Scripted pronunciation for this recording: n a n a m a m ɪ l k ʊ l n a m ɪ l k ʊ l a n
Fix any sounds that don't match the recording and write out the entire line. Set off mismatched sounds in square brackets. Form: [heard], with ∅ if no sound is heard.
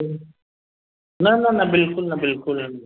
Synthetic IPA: n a n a [n] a [b] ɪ l k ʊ l n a [b] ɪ l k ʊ l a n